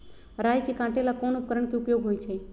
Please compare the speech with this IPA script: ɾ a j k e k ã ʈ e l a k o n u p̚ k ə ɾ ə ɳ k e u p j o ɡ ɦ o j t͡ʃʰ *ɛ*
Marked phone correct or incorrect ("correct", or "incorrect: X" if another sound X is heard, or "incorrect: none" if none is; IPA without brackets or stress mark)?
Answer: incorrect: e